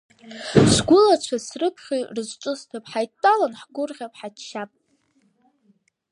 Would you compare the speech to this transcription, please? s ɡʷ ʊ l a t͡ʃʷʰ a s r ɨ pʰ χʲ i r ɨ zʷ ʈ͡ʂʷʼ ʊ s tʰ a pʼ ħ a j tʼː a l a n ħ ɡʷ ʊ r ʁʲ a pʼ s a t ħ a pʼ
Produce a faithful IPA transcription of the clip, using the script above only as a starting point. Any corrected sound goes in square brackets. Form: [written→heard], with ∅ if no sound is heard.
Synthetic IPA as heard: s ɡʷ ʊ l a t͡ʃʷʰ a s r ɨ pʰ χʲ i r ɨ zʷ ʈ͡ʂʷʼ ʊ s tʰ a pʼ ħ a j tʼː a l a n ħ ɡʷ ʊ r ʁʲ a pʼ [s→ħ] a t [ħ→ʃ] a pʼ